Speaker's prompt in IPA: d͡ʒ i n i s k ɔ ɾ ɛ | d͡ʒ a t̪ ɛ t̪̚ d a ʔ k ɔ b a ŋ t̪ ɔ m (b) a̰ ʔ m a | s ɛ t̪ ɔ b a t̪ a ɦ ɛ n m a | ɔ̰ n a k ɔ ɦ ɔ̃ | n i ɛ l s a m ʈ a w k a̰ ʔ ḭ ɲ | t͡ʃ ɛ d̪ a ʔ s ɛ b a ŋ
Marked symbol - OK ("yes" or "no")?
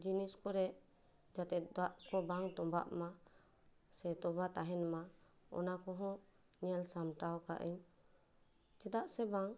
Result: yes